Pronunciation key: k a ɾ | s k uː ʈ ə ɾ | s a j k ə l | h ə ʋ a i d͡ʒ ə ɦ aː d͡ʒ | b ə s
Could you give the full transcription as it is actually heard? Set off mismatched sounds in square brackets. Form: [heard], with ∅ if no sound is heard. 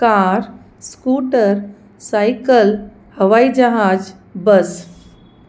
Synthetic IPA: k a ɾ | s k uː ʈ ə ɾ | s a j k ə l | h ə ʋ a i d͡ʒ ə ɦ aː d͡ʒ | b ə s